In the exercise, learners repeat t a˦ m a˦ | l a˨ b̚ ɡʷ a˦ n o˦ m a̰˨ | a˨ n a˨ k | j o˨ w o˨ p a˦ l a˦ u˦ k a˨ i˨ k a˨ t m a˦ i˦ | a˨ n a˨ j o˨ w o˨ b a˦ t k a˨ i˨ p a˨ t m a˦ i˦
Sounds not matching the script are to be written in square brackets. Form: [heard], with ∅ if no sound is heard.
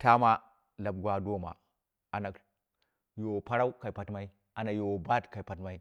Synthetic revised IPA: t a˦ m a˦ | l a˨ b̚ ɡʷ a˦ [d] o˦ m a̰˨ | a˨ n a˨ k | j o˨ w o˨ p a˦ [ɾ] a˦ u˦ k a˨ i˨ [p] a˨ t m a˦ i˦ | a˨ n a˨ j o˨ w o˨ b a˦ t k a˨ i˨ p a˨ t m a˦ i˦